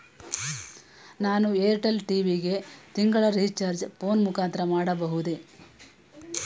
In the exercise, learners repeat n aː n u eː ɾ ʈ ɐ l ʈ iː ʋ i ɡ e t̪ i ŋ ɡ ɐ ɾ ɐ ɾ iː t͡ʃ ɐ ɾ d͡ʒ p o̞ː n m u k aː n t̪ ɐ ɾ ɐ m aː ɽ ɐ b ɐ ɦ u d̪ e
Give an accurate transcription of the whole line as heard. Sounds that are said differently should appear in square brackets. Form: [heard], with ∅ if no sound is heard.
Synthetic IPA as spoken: n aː n u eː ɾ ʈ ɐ l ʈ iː ʋ i ɡ e t̪ i ŋ ɡ ɐ [ɭ] ɐ ɾ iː t͡ʃ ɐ ɾ d͡ʒ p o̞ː n m u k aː n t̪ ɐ ɾ ɐ m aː ɽ ɐ b ɐ ɦ u d̪ e